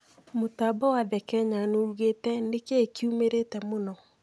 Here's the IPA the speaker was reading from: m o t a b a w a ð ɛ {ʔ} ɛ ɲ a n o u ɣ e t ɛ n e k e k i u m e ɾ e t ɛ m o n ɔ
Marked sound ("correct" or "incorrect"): incorrect